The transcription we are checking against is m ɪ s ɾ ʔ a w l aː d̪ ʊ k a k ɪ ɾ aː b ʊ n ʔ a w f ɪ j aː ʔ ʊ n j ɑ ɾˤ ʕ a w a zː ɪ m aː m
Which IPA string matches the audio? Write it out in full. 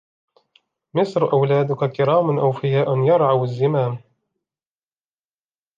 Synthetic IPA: m ɪ s ɾ ʔ a w l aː d̪ ʊ k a k ɪ ɾ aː m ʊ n ʔ a w f ɪ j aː ʔ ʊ n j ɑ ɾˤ ʕ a w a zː ɪ m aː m